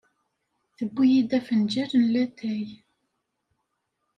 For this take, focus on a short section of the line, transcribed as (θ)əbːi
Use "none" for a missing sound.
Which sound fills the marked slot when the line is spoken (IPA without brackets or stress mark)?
θ